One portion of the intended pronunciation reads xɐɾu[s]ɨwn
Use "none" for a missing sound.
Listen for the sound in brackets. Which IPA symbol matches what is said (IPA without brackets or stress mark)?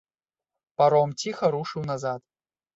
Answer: ʂ